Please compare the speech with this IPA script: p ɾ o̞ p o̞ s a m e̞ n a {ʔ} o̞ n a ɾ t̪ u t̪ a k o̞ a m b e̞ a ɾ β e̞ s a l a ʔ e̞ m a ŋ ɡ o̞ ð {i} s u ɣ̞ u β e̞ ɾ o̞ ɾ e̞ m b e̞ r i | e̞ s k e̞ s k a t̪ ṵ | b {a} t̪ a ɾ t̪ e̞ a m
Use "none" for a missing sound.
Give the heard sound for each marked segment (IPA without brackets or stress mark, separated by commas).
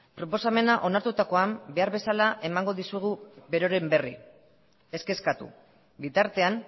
ʔ, i, i